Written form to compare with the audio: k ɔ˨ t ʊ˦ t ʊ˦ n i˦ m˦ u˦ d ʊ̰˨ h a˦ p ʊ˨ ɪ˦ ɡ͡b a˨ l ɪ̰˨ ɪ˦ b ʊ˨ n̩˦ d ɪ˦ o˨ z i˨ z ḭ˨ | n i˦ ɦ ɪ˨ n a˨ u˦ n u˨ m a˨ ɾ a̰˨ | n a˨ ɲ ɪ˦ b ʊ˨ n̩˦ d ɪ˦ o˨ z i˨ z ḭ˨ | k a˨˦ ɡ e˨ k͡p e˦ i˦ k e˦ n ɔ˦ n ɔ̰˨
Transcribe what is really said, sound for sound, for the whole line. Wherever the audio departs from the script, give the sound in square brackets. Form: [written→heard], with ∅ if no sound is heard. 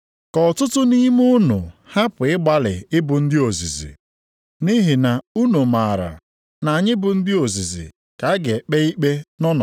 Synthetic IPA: k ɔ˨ t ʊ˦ t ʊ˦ n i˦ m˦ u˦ [d→n] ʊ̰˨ h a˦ p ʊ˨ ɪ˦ ɡ͡b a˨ l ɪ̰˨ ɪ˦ b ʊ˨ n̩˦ d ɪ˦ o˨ z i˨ z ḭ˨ | n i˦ ɦ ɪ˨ n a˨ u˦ n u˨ m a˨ ɾ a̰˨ | n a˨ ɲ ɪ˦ b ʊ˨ n̩˦ d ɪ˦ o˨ z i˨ z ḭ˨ | k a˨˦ ɡ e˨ k͡p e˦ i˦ [k→k͡p] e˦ n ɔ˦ n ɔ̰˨